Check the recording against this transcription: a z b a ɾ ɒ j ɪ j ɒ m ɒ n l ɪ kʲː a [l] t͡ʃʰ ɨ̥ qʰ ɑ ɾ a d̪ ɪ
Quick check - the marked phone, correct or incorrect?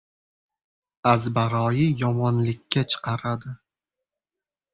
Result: incorrect